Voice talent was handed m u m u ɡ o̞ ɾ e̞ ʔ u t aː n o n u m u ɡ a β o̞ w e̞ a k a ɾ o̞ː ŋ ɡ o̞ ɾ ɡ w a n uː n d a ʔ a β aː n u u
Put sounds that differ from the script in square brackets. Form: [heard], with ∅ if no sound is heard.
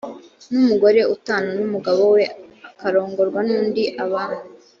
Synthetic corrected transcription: [n] u m u ɡ o̞ ɾ e̞ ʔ u t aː n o n u m u ɡ a β o̞ w e̞ a k a ɾ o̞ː ŋ ɡ o̞ ɾ ɡ w a n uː n d [i] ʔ a β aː n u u